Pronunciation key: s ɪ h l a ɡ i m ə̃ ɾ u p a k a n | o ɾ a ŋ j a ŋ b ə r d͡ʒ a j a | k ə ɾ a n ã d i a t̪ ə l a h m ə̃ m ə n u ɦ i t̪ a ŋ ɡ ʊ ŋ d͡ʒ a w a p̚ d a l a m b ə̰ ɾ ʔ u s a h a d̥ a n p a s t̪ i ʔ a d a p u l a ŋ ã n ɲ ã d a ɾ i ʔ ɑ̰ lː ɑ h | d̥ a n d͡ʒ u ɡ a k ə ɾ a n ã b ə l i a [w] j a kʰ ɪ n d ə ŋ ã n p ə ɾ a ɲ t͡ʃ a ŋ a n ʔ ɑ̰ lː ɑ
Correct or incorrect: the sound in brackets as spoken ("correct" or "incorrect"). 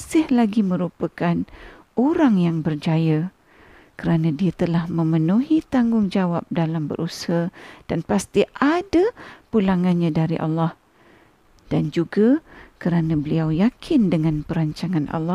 correct